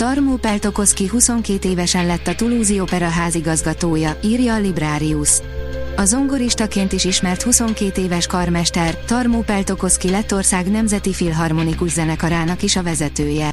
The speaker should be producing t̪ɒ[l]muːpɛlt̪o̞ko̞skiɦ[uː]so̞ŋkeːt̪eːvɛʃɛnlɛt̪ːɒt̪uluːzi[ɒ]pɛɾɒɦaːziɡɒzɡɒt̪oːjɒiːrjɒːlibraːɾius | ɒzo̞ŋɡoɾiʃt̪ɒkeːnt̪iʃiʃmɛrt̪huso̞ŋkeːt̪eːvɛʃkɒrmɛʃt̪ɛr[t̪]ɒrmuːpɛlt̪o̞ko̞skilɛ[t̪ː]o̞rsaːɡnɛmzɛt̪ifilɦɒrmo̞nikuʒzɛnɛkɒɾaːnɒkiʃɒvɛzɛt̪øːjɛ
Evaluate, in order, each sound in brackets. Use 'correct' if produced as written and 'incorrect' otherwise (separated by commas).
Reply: incorrect, incorrect, incorrect, correct, correct